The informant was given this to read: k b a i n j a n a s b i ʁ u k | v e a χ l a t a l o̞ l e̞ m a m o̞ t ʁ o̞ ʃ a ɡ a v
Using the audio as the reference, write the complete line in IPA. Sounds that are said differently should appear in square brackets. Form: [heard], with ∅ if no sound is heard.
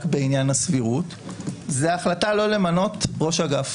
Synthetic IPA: k b [e] i n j a n a s [v] i ʁ u [t] | [z] e a χ l a t a l o̞ l e̞ m a [n] o̞ t ʁ o̞ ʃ a ɡ a [f]